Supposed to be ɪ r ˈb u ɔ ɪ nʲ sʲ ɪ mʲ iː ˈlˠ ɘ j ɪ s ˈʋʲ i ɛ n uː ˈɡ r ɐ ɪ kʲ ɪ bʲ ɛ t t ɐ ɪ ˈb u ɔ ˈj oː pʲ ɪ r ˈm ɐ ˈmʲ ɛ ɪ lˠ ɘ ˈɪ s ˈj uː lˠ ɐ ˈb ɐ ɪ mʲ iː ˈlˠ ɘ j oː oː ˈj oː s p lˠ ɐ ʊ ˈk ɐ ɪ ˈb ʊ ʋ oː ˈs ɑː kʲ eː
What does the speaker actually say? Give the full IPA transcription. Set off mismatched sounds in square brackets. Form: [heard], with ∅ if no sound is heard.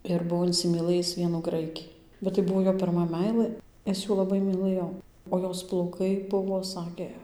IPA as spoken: ɪ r ˈb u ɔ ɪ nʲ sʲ ɪ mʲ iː ˈlˠ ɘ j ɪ s ˈʋʲ i ɛ n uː ˈɡ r ɐ ɪ kʲ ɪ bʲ ɛ t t ɐ ɪ ˈb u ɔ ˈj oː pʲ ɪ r ˈm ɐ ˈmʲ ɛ ɪ lˠ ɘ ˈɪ s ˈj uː lˠ ɐ ˈb ɐ ɪ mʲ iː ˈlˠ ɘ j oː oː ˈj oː s p lˠ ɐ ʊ ˈk ɐ ɪ ˈb ʊ ʋ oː ˈs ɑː kʲ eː